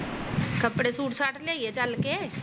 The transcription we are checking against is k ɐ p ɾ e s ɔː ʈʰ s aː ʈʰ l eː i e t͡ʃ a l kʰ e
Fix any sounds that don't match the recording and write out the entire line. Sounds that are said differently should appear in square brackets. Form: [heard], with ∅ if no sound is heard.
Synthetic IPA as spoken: k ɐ p [ɽ] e s [uː] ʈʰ s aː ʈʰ l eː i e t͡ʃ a l [k] e

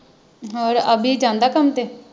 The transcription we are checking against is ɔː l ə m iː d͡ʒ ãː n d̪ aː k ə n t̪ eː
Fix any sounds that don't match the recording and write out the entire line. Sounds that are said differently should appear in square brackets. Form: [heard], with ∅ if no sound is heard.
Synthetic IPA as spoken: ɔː [ɾ] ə [b] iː d͡ʒ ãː n d̪ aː k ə [m] t̪ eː

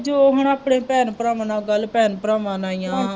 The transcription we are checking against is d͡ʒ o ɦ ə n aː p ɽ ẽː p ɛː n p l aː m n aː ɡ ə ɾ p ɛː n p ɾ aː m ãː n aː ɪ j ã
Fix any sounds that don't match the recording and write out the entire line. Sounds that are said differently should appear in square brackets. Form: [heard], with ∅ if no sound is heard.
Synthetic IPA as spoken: d͡ʒ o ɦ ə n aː p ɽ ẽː p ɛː n p [ɾ] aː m n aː ɡ ə [l] p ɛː n p ɾ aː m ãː n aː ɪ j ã

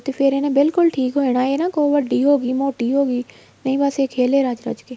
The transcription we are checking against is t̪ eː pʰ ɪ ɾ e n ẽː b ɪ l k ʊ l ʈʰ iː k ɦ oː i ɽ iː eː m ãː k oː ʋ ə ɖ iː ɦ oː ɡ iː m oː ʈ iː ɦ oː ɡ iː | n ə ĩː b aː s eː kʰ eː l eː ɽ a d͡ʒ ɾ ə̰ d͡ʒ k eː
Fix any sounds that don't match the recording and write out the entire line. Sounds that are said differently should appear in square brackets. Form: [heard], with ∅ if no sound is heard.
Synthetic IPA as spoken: t̪ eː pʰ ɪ ɾ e n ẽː b ɪ l k ʊ l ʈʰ iː k ɦ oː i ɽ [aː] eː [n] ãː k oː ʋ ə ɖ iː ɦ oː ɡ iː m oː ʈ iː ɦ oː ɡ iː | n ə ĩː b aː s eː kʰ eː l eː [ɾ] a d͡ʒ ɾ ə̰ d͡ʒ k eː

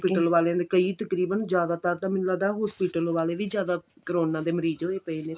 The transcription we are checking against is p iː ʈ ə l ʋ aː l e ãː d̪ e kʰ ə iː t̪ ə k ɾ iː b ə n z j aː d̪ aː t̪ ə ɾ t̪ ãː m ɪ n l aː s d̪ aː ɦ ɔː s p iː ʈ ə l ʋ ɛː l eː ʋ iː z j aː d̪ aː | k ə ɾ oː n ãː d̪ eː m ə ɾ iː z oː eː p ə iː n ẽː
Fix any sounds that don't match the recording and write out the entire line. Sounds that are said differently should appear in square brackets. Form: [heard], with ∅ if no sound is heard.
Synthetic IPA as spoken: p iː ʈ ə l ʋ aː l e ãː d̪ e [k] ə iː t̪ ə k ɾ iː b ə n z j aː d̪ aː t̪ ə ɾ t̪ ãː m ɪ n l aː [∅] d̪ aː ɦ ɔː s p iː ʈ ə l ʋ [aː] l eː ʋ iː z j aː d̪ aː | k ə ɾ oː n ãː d̪ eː m ə ɾ iː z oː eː p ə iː n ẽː

